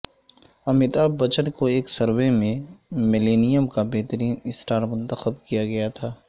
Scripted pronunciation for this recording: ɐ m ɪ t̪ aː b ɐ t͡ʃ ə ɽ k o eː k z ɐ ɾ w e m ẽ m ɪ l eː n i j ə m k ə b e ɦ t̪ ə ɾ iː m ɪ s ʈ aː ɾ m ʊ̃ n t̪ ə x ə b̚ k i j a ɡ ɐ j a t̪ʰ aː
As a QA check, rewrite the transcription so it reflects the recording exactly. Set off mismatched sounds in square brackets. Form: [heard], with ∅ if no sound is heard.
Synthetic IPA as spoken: ɐ m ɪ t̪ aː b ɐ t͡ʃ ə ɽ k o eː k [s] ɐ ɾ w e m ẽ m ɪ l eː n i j ə m k [a] b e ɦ t̪ ə ɾ iː [n] ɪ s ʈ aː ɾ m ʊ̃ n t̪ ə x ə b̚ k i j a ɡ ɐ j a t̪ʰ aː